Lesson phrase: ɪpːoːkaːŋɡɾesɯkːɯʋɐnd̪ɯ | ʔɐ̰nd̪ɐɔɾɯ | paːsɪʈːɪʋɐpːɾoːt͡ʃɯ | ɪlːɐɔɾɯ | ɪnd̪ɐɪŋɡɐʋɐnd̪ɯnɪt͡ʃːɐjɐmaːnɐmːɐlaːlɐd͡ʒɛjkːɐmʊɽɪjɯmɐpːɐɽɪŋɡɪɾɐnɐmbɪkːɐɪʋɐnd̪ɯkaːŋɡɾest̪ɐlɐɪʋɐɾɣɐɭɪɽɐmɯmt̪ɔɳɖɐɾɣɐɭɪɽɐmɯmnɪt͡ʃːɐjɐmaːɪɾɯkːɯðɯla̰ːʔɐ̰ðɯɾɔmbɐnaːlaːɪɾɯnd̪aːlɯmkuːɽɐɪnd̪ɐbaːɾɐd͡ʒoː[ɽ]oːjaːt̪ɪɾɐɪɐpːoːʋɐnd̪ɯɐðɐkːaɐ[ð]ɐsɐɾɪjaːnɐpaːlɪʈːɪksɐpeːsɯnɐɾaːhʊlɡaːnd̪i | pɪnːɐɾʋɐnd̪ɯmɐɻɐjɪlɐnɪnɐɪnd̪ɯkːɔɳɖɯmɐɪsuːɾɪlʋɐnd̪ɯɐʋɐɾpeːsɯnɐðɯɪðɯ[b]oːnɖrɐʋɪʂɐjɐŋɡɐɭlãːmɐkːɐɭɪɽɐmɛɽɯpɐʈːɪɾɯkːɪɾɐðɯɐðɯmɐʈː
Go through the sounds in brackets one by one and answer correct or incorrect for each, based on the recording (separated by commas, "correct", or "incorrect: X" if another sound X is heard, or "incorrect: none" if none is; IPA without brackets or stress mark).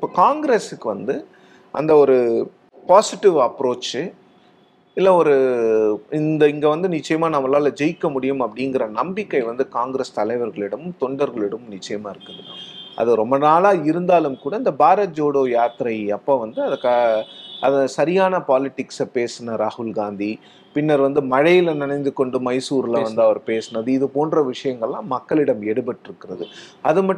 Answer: correct, correct, incorrect: p